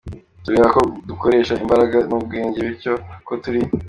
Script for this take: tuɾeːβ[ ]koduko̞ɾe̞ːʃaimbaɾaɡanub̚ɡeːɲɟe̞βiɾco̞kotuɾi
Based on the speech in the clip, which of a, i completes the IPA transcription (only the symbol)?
a